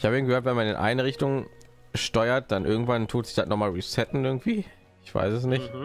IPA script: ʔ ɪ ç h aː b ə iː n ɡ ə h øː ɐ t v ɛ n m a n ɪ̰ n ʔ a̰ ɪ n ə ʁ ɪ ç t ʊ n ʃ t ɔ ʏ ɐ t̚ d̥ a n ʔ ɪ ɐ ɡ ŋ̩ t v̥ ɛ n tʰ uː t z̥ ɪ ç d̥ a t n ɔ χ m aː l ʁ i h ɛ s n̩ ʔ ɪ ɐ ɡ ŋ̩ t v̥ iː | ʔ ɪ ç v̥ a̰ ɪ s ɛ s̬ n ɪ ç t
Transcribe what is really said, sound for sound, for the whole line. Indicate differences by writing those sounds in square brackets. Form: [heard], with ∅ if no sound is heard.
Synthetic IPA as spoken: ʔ ɪ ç h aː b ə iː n ɡ ə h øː ɐ t v ɛ n m a n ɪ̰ n ʔ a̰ ɪ n ə ʁ ɪ ç t ʊ [ŋ] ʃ t ɔ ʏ ɐ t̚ d̥ a n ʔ ɪ ɐ ɡ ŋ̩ t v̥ [a] n tʰ uː t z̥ ɪ ç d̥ a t n ɔ χ m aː l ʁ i [s] ɛ [t] n̩ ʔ ɪ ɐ ɡ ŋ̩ t v̥ iː | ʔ ɪ ç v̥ a̰ ɪ s ɛ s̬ n ɪ ç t